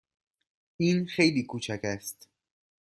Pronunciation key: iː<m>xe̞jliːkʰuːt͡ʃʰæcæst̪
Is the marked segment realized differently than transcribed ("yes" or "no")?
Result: yes